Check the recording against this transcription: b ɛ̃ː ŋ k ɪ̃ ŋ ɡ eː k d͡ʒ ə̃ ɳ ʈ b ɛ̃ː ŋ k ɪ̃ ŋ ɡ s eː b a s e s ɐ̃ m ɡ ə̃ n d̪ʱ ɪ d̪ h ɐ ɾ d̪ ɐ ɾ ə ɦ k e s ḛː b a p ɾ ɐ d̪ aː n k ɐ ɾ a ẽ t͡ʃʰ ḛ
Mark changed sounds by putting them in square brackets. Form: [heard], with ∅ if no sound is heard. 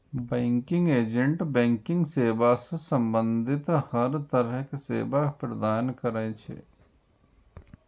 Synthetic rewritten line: b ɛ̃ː ŋ k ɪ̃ ŋ ɡ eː [∅] d͡ʒ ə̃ ɳ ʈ b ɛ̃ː ŋ k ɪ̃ ŋ ɡ s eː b a s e s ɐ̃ m [b] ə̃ n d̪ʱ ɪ [t̪] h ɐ ɾ [t̪] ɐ ɾ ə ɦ k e s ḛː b a p ɾ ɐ d̪ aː n k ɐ ɾ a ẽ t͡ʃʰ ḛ